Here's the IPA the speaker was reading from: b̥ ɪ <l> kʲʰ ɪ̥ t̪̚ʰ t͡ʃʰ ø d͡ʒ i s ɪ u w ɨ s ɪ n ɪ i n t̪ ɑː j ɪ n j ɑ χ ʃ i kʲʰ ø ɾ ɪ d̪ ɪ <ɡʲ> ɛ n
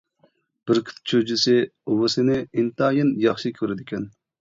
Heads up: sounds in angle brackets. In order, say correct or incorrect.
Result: incorrect, incorrect

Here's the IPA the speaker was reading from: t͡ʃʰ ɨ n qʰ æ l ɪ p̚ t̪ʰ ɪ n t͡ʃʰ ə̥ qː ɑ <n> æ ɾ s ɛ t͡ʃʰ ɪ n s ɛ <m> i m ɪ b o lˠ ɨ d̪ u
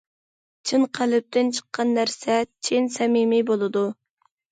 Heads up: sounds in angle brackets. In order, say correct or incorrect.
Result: incorrect, correct

